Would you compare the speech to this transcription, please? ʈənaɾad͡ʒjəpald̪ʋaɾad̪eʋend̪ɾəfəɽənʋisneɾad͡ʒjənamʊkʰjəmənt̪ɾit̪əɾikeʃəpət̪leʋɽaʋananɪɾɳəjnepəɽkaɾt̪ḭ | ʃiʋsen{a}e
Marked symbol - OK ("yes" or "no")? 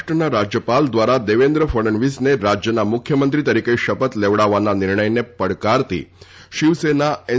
yes